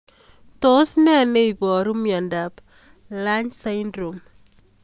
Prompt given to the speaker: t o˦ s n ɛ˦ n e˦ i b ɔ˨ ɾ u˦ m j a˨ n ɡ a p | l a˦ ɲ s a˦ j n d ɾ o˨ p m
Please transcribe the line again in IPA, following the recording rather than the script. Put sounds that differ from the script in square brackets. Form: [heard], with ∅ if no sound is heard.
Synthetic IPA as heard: t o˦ s n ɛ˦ n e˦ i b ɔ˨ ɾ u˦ m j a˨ n [d] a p | l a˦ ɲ s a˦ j n d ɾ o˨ [∅] m

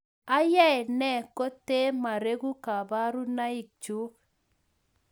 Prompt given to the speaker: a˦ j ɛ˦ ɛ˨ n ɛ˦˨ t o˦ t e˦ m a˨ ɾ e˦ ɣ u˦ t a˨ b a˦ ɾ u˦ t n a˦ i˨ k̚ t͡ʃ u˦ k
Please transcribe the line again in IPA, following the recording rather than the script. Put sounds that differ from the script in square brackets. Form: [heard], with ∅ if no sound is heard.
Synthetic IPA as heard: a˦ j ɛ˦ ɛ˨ n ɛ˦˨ [k] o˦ t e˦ m a˨ ɾ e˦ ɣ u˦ [k] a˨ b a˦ ɾ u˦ [∅] n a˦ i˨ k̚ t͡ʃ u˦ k

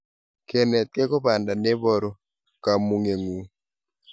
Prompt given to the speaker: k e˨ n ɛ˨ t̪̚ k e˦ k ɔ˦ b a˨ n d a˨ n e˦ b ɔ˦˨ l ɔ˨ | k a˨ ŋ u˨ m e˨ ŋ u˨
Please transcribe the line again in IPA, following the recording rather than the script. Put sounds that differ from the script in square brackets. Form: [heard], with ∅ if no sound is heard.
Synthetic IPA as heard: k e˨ n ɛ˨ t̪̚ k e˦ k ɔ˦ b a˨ n d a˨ n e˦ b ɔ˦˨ [ɾ] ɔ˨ | k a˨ [m] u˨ [ŋ] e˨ ŋ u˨

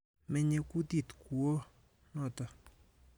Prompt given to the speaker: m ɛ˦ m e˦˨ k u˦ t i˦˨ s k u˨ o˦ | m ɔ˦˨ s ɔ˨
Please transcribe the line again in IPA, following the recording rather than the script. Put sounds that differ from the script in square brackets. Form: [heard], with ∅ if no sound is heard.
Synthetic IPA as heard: m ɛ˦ [ɲ] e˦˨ k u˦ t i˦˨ [t] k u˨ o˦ | [n] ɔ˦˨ [t] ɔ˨

